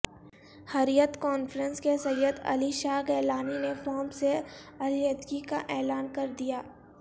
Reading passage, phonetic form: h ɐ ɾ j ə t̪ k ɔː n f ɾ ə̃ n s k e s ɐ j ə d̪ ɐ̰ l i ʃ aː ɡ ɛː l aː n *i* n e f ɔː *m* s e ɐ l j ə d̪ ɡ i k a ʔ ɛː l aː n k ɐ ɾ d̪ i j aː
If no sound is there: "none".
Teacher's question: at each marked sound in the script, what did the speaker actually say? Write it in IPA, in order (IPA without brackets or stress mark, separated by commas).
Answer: i, m